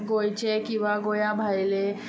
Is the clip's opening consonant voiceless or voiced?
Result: voiced